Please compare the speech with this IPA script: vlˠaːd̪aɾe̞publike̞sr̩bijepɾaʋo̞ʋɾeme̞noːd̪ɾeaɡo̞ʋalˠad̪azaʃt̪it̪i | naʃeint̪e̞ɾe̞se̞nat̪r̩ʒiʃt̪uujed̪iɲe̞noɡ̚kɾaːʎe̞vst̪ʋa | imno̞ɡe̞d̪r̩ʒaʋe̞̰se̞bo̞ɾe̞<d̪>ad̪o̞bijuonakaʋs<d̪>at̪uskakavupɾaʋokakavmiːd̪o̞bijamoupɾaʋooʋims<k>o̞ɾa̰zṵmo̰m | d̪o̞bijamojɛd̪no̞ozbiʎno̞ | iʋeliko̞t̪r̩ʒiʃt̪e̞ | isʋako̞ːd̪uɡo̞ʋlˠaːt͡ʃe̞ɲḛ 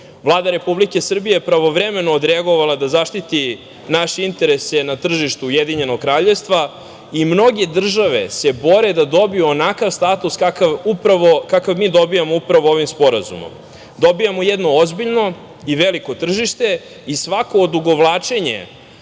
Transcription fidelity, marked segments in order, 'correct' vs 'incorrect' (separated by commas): correct, incorrect, incorrect